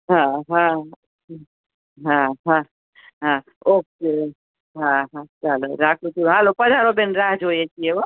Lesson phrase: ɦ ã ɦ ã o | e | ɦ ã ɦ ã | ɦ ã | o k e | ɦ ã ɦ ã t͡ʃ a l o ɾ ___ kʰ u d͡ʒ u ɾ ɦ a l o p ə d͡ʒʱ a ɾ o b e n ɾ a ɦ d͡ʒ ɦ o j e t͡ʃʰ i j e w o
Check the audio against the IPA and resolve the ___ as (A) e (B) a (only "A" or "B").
B